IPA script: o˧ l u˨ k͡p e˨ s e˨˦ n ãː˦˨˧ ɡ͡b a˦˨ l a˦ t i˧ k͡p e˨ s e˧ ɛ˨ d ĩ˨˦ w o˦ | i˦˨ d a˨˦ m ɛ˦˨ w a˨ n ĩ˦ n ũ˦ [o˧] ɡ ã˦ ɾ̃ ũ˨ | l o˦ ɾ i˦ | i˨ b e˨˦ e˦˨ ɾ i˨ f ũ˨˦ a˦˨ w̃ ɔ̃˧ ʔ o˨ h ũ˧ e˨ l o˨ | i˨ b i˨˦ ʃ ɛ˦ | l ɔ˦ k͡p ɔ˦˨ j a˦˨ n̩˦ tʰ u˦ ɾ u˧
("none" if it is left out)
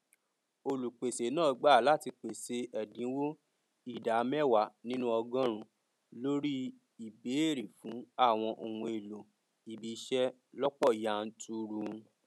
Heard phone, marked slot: ɔ˧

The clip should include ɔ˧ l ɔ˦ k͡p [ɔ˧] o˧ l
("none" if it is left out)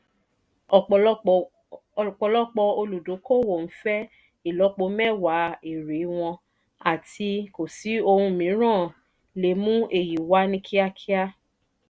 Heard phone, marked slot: ɔ˧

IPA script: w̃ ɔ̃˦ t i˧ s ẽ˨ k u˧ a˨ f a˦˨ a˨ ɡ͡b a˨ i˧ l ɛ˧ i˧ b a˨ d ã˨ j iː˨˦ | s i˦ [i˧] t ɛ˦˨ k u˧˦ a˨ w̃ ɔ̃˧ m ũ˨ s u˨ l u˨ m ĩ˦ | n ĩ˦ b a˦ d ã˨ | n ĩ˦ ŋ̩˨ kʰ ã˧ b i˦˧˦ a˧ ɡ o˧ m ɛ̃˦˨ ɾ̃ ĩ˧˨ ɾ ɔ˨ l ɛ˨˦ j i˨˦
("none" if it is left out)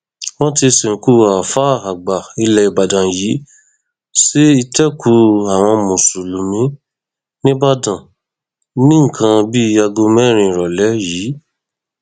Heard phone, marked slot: i˧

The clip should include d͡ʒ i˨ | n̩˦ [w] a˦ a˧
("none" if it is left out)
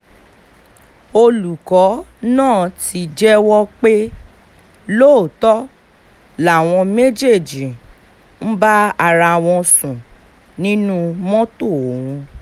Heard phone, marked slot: b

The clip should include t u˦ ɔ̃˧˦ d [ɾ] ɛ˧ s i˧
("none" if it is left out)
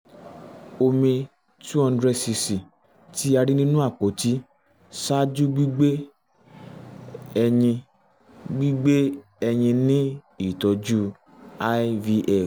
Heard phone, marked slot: ɾ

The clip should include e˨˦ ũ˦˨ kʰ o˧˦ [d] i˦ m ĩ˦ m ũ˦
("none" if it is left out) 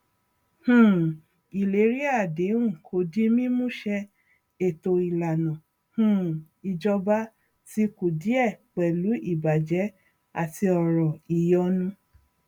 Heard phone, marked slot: d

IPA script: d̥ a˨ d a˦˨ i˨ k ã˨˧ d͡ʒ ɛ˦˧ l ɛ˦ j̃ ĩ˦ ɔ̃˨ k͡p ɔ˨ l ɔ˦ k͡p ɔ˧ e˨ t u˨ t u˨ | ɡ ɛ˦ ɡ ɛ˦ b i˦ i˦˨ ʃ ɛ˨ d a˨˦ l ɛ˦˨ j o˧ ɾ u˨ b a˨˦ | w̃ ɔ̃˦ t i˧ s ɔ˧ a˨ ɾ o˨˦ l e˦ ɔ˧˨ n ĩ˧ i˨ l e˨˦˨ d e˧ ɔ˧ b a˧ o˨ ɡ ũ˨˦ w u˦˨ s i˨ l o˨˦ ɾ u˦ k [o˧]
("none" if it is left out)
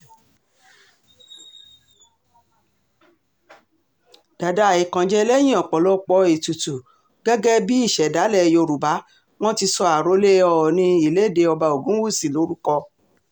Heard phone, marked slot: ɔ˧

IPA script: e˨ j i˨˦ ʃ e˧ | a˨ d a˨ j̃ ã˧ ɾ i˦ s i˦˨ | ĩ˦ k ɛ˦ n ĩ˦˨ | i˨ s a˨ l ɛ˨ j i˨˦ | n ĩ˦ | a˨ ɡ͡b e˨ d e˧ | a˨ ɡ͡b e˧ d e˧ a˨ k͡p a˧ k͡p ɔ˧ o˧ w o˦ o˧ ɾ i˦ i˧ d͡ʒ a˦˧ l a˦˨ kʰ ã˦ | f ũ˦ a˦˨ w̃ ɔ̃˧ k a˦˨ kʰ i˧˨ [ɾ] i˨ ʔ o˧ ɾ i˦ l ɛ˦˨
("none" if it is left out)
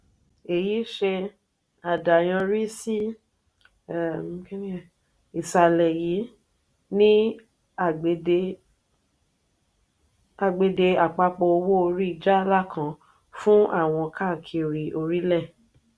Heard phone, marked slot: ɾ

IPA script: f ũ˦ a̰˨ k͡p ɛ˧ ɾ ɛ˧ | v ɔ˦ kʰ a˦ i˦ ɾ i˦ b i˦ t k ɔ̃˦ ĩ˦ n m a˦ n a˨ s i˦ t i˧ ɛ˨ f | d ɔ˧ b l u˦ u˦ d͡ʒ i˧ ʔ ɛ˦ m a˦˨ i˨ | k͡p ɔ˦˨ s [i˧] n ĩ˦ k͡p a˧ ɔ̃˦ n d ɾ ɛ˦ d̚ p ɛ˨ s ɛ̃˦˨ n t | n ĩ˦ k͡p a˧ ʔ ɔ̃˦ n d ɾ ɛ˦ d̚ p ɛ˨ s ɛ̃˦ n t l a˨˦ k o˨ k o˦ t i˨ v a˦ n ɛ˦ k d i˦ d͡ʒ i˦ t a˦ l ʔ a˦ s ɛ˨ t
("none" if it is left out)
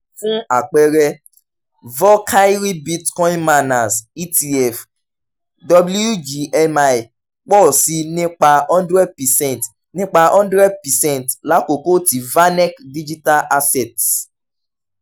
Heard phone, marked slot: i˧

